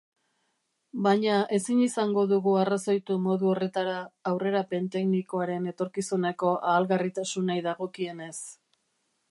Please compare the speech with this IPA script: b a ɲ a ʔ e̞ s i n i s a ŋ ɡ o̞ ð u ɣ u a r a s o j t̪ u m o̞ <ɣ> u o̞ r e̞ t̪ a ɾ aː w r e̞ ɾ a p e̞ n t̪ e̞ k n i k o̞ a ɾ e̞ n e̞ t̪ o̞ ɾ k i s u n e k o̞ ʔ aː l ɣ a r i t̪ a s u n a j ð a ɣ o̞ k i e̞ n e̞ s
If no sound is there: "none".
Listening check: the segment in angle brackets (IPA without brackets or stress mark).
ð